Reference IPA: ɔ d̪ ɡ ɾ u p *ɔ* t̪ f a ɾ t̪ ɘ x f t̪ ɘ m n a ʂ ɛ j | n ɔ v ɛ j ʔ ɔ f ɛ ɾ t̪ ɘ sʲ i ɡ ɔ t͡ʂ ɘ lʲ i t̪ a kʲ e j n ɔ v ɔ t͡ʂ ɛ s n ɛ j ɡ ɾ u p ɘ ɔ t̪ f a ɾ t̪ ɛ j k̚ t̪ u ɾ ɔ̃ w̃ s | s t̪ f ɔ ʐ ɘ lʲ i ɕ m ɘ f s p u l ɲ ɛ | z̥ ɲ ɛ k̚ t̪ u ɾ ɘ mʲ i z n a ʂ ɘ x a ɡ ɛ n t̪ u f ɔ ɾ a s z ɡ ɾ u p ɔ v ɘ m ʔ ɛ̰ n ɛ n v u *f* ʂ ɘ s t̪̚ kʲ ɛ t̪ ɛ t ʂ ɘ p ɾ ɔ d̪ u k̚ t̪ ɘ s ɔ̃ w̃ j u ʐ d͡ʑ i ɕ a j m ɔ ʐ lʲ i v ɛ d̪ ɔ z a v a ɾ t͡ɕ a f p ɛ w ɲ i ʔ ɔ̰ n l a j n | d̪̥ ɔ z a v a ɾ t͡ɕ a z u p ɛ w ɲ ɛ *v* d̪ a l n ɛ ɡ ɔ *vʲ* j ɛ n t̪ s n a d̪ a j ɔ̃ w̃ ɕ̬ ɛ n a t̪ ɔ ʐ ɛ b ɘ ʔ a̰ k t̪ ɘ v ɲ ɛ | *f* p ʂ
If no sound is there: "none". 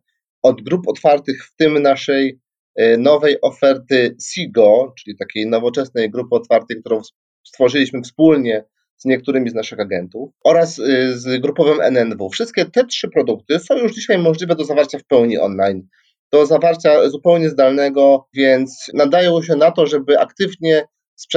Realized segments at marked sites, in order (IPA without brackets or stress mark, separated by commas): ɔ, f, z, vʲ, s